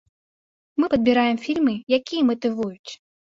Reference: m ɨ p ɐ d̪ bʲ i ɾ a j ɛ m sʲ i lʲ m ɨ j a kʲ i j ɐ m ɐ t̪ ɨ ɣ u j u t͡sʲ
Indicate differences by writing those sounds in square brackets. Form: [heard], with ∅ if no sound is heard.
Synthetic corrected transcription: m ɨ p ɐ d̪ bʲ i ɾ a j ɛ m [fʲ] i lʲ m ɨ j a kʲ i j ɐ m ɐ t̪ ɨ [v] u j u t͡sʲ